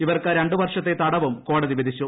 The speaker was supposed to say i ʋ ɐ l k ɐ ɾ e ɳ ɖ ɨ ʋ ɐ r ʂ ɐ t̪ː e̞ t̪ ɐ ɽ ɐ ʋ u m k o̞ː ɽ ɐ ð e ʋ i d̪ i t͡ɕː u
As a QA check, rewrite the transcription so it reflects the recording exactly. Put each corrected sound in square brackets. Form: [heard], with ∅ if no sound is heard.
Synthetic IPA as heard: i ʋ ɐ [r] k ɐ ɾ e ɳ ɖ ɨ ʋ ɐ r ʂ ɐ t̪ː e̞ t̪ ɐ ɽ ɐ ʋ u m k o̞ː ɽ ɐ ð [i] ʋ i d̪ i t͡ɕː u